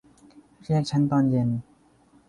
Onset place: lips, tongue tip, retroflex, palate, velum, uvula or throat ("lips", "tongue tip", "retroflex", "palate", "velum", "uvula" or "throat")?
tongue tip